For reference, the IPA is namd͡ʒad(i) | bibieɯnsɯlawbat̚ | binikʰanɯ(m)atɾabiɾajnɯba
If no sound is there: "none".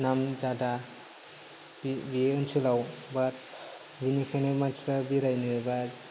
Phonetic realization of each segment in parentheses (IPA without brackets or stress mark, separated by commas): a, m